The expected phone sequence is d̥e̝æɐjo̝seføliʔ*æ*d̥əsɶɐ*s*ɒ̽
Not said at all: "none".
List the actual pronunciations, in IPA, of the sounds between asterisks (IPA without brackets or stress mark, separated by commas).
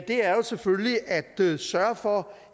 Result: æ, f